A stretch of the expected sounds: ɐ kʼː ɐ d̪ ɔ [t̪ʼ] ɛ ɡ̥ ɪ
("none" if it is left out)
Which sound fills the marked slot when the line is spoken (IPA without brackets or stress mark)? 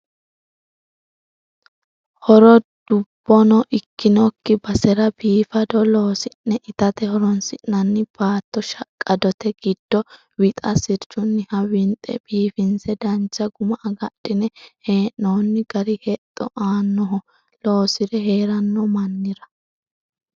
t̪